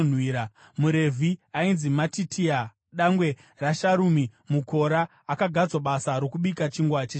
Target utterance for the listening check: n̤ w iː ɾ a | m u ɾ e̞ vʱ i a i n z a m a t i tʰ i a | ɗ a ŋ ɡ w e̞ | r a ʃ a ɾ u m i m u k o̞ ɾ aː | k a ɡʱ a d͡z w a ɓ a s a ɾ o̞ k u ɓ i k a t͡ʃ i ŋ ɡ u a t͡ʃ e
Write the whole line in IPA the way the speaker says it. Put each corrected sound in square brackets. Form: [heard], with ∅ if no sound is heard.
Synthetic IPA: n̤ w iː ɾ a | m u ɾ e̞ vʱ i a i n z [i] m a t i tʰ i a | ɗ a ŋ ɡ w e̞ | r a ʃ a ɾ u m i m u k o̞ ɾ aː | k a ɡʱ a d͡z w a ɓ a s a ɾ o̞ k u ɓ i k a t͡ʃ i ŋ ɡ [w] a t͡ʃ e

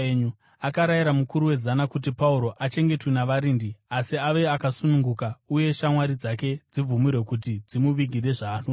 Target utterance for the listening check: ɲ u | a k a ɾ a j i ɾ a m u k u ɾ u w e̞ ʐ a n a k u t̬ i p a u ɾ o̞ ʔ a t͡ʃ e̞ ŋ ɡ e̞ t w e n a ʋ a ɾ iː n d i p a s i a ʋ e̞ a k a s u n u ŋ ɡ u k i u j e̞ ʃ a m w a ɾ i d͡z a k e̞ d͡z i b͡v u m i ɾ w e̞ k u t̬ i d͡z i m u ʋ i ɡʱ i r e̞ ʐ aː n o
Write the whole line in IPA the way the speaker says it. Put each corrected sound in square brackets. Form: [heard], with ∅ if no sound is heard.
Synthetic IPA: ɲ u | a k a ɾ a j i ɾ a m u k u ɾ u w e̞ [z] a n a k u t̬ i p a u ɾ o̞ ʔ a t͡ʃ e̞ ŋ ɡ e̞ t w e n a ʋ a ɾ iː n d i [∅] a s i a ʋ e̞ a k a s u n u ŋ ɡ u k [a] u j e̞ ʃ a m w a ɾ i d͡z a k e̞ d͡z i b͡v u m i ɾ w e̞ k u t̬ i d͡z i m u ʋ i ɡʱ i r e̞ ʐ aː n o

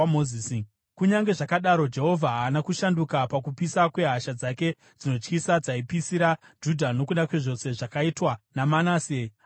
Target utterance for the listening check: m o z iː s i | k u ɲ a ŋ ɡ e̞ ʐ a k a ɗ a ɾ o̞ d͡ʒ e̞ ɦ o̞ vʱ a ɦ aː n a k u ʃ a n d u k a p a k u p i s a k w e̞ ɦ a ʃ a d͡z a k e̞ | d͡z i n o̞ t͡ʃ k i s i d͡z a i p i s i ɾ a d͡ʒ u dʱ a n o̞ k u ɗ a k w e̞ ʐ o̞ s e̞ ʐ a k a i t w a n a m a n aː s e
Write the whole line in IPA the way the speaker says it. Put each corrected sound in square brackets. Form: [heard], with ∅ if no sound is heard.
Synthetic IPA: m o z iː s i | k u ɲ a ŋ ɡ e̞ ʐ a k a ɗ a ɾ o̞ d͡ʒ e̞ ɦ o̞ vʱ a ɦ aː n a k u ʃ a n d u k a p a k u p i s a k w e̞ ɦ a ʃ a d͡z a k e̞ | d͡z i n o̞ t͡ʃ k i s [a] d͡z a i p i s i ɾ a d͡ʒ u dʱ a n o̞ k u ɗ a k w e̞ ʐ o̞ s e̞ ʐ a k a i t w a n a m a n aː s e

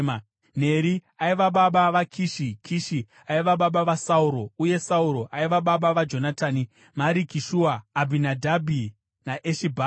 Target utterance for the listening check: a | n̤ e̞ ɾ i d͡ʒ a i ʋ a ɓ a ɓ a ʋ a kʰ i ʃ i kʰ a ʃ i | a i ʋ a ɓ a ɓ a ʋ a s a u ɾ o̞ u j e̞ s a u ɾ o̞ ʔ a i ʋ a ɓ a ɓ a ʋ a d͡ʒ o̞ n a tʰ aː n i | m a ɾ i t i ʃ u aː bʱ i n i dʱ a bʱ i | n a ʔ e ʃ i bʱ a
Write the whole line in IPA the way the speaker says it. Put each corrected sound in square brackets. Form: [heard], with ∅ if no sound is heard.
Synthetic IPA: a | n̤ e̞ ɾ i [∅] a i ʋ a ɓ a ɓ a ʋ a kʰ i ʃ i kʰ [i] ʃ i | a i ʋ a ɓ a ɓ a ʋ a s a u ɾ o̞ u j e̞ s a u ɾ o̞ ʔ a i ʋ a ɓ a ɓ a ʋ a d͡ʒ o̞ n a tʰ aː n i | m a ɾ i [k] i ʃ u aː bʱ i n [a] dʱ a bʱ i | n a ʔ e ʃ i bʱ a

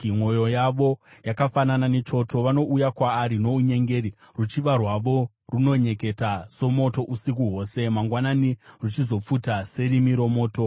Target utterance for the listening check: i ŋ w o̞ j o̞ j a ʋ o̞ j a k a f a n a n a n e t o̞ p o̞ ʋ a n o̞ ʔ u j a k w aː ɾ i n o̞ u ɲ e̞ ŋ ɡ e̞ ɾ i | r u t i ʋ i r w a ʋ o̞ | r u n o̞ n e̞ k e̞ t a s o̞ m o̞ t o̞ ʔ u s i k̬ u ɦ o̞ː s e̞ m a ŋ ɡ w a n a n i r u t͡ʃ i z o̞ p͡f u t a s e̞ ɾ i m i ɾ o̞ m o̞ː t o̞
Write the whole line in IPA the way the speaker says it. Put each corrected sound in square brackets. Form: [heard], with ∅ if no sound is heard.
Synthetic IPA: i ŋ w o̞ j o̞ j a ʋ o̞ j a k a f a n a n a n e [t͡ʃ] o̞ [t] o̞ ʋ a n o̞ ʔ u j a k w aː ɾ i n o̞ u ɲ e̞ ŋ ɡ e̞ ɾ i | r u [t͡ʃ] i ʋ [a] r w a ʋ o̞ | r u n o̞ [ɲ] e̞ k e̞ t a s o̞ m o̞ t o̞ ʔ u s i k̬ u ɦ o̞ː s e̞ m a ŋ ɡ w a n a n i r u t͡ʃ i z o̞ p͡f u t a s e̞ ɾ i m i ɾ o̞ m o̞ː t o̞

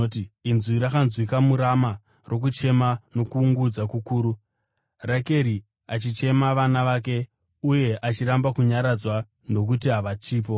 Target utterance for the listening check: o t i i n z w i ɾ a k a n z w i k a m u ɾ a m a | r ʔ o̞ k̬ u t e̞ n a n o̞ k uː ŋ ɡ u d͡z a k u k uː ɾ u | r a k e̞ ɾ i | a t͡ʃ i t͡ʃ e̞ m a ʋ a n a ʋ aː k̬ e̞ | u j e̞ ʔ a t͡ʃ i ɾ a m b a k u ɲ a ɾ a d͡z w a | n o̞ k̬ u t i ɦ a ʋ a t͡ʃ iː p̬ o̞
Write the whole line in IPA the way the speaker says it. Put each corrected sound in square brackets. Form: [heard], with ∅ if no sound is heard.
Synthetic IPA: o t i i n z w i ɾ a k a n z w i k a m u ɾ a m a | r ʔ o̞ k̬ u [t͡ʃ] e̞ [m] a n o̞ k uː ŋ ɡ u d͡z a k u k uː ɾ u | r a k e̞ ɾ i | a t͡ʃ i t͡ʃ e̞ m a ʋ a n a ʋ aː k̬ e̞ | u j e̞ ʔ a t͡ʃ i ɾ a m b a k u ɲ a ɾ a d͡z w a | n o̞ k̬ u t i ɦ a ʋ a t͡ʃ iː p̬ o̞

